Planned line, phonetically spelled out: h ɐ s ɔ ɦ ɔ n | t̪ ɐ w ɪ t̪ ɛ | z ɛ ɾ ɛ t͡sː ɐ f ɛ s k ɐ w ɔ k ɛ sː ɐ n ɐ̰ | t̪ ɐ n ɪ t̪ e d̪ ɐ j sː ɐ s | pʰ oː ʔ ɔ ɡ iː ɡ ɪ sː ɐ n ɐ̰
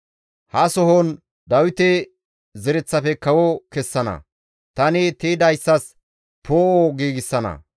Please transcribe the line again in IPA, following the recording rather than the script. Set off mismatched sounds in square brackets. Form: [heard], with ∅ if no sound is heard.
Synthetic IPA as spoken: h ɐ s ɔ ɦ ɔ n | [d̪] ɐ w ɪ t̪ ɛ | z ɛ ɾ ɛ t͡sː ɐ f ɛ [∅] k ɐ w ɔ k ɛ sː ɐ n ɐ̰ | t̪ ɐ n ɪ t̪ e d̪ ɐ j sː ɐ s | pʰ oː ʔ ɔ ɡ iː ɡ ɪ sː ɐ n ɐ̰